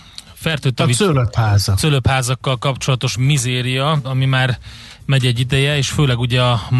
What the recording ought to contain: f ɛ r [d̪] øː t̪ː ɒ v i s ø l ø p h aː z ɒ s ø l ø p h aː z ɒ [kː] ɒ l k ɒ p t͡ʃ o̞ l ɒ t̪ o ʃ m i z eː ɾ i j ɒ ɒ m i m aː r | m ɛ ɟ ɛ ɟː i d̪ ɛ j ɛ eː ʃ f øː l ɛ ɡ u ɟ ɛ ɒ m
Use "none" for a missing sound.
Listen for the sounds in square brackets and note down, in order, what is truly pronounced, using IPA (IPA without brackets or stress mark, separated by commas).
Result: t̪, kː